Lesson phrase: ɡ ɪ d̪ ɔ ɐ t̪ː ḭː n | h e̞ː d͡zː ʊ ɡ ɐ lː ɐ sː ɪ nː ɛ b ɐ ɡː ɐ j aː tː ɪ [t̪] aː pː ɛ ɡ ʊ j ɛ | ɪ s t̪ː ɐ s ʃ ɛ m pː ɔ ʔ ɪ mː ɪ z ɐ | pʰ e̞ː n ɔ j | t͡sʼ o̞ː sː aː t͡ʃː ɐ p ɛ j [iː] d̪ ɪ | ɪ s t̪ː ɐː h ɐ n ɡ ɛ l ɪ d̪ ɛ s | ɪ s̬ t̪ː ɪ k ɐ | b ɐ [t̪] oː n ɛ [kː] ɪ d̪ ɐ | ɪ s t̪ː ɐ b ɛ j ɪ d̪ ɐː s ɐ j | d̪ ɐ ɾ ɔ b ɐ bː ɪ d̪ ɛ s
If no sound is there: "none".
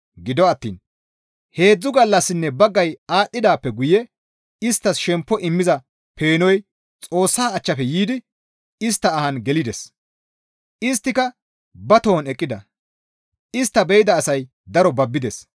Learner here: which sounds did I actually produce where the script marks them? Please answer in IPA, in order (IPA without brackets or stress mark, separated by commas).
d̪, iː, t̪, kʼː